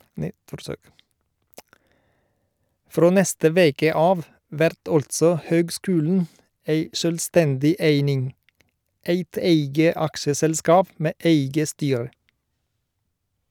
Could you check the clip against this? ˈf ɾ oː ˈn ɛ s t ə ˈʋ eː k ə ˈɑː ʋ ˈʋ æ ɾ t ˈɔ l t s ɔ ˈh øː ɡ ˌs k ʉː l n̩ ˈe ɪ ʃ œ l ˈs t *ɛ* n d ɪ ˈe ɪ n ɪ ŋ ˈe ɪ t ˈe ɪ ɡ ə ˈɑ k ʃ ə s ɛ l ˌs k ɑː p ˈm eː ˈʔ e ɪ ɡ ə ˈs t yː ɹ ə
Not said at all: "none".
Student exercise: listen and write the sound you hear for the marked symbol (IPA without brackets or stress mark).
ɛ